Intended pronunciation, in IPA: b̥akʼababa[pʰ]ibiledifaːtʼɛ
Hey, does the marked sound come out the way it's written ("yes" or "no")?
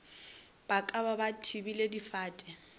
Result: no